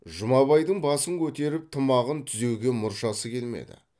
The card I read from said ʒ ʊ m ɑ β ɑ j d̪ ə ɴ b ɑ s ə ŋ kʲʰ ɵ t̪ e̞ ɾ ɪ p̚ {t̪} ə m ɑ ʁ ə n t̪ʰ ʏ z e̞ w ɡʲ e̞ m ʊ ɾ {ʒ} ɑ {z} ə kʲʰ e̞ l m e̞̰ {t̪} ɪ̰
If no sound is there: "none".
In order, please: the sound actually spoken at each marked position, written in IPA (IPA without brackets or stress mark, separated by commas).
t̪ʰ, ʃ, s, d̪